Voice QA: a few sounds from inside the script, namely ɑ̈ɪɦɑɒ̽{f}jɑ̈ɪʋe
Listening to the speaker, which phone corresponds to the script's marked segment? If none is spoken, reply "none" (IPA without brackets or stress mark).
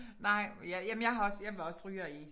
s